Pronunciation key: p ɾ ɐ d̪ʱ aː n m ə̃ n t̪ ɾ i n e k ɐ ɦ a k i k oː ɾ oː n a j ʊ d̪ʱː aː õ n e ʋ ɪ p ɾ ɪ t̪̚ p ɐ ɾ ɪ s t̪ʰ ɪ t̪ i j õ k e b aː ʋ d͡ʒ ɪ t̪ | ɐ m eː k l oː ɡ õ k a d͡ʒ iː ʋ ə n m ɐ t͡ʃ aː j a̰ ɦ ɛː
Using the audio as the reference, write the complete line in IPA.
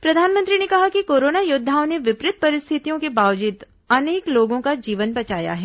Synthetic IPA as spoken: p ɾ ɐ d̪ʱ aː n m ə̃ n t̪ ɾ i n e k ɐ ɦ a k i k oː ɾ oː n a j ʊ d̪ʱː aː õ n e ʋ ɪ p ɾ ɪ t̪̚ p ɐ ɾ ɪ s t̪ʰ ɪ t̪ i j õ k e b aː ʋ d͡ʒ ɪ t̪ | ɐ n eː k l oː ɡ õ k a d͡ʒ iː ʋ ə n b ɐ t͡ʃ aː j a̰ ɦ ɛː